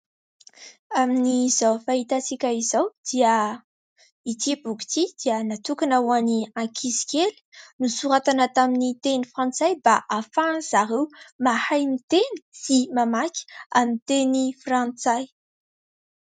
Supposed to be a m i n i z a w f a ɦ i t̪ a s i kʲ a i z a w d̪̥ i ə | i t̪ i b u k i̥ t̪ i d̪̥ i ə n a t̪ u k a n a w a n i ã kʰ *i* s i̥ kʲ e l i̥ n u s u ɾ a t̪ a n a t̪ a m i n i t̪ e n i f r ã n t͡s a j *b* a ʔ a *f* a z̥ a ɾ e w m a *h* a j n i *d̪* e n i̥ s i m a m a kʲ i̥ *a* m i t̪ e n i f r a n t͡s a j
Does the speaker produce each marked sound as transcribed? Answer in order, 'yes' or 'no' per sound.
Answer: yes, yes, yes, yes, no, yes

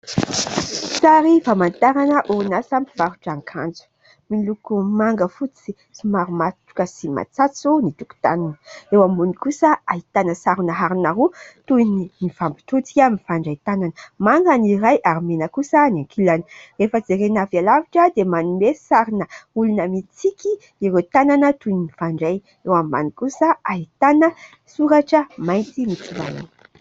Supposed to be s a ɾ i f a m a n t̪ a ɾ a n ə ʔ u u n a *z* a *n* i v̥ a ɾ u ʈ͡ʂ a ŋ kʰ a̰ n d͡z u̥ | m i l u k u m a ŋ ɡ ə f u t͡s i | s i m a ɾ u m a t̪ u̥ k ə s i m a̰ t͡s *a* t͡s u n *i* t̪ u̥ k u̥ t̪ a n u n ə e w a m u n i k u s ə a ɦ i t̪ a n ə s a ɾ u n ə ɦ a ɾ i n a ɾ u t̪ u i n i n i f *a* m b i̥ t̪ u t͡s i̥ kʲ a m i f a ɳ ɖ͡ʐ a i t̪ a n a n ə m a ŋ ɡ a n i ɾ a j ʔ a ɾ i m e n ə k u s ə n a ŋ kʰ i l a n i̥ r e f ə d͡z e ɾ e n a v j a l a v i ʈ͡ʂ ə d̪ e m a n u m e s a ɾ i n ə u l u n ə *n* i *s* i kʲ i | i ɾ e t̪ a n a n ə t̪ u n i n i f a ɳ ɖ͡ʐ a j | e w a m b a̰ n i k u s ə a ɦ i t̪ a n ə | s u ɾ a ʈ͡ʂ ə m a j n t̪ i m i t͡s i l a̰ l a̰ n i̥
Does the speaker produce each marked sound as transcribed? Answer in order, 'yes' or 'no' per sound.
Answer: no, no, yes, yes, yes, no, no

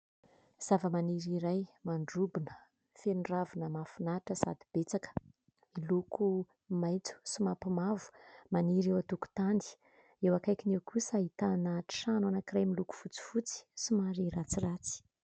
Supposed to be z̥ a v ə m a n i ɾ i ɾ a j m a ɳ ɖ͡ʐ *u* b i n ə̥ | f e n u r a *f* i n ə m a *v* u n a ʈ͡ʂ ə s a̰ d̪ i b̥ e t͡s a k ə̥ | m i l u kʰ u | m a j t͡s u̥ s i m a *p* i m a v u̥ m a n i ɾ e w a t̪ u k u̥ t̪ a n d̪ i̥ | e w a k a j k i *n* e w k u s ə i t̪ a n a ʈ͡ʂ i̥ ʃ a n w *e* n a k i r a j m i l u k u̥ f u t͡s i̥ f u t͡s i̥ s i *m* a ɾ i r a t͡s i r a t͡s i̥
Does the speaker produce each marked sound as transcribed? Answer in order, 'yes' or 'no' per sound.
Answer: yes, no, no, yes, yes, no, yes

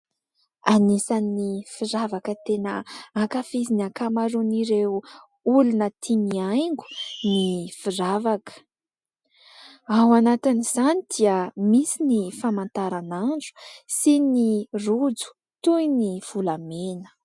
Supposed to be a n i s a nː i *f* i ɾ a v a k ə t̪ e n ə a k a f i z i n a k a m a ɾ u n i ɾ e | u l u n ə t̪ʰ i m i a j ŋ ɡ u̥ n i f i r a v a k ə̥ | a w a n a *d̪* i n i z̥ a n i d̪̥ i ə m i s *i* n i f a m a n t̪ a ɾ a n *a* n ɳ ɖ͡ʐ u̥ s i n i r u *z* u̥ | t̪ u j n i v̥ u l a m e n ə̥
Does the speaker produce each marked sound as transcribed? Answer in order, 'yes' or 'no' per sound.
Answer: yes, no, yes, yes, no

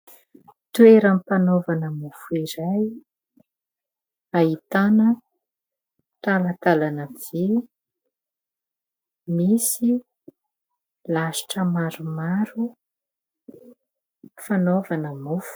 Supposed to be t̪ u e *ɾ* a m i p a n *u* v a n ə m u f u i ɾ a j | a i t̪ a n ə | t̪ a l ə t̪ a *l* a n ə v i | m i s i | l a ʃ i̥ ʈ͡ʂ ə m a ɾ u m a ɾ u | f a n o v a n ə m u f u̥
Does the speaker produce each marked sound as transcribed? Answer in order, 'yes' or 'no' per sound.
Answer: yes, no, yes

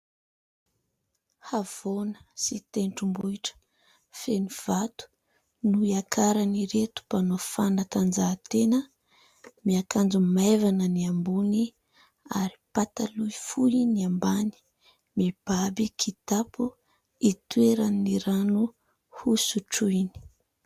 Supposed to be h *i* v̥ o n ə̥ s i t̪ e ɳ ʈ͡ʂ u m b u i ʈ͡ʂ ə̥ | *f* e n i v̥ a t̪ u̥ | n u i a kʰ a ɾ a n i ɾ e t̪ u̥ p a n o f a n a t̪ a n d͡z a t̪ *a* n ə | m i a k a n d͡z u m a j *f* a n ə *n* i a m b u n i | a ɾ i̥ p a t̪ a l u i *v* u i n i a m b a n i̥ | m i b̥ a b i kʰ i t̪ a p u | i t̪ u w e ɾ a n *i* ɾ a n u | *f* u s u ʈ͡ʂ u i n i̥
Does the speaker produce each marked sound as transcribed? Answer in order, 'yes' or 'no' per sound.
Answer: no, yes, no, no, yes, no, yes, no

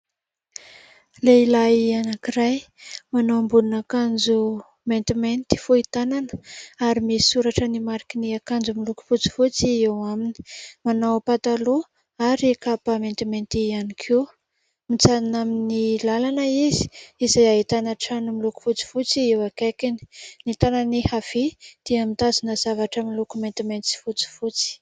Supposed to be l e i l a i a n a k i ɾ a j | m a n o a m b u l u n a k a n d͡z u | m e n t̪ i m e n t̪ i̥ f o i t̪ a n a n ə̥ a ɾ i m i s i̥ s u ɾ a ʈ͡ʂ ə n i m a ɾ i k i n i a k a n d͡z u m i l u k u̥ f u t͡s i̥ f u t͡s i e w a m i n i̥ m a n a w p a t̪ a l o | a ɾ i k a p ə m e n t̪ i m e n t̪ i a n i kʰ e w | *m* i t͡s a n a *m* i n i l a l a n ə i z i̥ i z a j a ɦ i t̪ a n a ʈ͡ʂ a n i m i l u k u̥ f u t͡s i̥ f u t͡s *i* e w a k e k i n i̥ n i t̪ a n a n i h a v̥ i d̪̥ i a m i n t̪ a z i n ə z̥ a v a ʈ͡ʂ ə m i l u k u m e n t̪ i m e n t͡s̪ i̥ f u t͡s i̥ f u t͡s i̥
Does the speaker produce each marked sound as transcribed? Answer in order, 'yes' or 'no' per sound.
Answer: yes, yes, yes

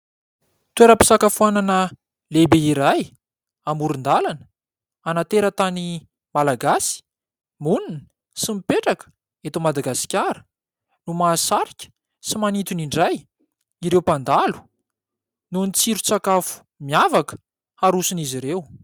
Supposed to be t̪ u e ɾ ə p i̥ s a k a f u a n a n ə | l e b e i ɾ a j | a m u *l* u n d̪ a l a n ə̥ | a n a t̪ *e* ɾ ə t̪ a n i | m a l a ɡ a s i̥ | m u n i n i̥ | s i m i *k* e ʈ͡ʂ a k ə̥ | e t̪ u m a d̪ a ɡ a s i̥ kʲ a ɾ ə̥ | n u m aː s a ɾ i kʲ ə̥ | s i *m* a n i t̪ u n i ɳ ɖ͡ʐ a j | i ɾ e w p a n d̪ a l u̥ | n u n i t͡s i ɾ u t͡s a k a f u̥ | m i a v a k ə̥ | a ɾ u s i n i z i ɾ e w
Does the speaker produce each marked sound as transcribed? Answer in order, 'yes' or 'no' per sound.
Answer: no, yes, no, yes

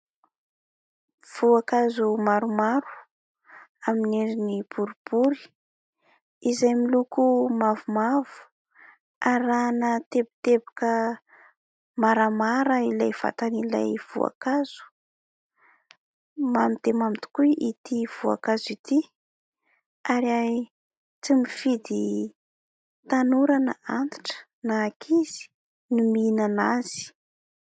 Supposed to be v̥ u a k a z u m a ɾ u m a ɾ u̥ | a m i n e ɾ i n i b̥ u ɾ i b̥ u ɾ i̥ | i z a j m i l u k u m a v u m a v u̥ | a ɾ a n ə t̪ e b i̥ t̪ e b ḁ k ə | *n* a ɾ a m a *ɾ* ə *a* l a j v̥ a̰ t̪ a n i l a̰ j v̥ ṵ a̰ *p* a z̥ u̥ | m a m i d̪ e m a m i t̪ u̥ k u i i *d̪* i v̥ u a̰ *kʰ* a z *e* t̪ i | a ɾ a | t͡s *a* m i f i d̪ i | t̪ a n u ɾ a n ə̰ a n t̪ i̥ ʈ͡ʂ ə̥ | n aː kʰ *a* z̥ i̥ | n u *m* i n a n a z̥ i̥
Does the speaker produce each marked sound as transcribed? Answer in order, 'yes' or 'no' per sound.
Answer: no, yes, no, no, no, no, no, no, no, yes

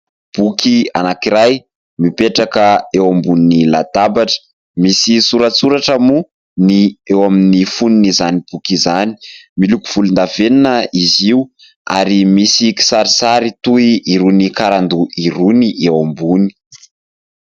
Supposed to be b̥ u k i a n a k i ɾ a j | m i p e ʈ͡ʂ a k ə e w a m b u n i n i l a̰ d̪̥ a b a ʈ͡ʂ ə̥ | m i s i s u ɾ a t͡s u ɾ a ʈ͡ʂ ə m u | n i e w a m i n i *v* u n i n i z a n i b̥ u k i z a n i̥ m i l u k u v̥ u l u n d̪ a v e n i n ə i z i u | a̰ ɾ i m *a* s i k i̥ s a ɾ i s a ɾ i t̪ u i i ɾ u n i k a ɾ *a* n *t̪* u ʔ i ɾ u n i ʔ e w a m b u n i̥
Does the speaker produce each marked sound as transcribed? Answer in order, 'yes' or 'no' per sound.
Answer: no, no, yes, no

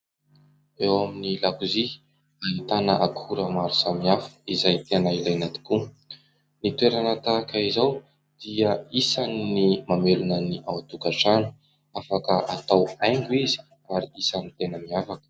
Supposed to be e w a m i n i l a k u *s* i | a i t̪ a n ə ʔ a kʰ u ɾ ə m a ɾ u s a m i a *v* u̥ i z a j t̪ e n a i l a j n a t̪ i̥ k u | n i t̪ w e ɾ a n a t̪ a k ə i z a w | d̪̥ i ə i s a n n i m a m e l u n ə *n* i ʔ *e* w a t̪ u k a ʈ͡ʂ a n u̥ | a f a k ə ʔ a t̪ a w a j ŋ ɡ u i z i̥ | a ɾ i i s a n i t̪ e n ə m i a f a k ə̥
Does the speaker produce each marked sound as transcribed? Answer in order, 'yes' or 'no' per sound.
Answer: no, no, yes, no

